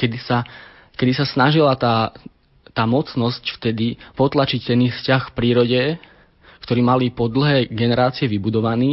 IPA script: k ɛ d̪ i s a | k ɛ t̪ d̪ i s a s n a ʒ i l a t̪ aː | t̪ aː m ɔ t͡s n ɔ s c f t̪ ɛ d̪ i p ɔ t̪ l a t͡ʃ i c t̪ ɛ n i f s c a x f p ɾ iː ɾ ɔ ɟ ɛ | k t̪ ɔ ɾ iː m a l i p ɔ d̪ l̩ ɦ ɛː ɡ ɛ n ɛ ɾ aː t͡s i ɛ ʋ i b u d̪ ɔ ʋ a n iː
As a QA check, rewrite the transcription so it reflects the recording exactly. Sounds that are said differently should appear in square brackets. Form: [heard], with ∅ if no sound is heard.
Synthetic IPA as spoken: k ɛ d̪ i s a | k ɛ [∅] d̪ i s a s n a ʒ i l a t̪ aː | t̪ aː m ɔ t͡s n ɔ s c f t̪ ɛ d̪ i p ɔ t̪ l a t͡ʃ i c t̪ ɛ n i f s c a x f p ɾ iː ɾ ɔ ɟ ɛ | k t̪ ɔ ɾ iː m a l i p ɔ d̪ l̩ ɦ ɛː ɡ ɛ n ɛ ɾ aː t͡s i ɛ ʋ i b u d̪ ɔ ʋ a n iː